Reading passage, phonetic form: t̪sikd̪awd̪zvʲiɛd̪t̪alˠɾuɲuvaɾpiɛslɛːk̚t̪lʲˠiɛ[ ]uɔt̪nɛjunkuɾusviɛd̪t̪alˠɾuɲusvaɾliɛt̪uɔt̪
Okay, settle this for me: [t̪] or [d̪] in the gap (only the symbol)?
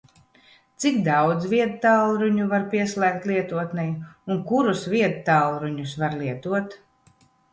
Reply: t̪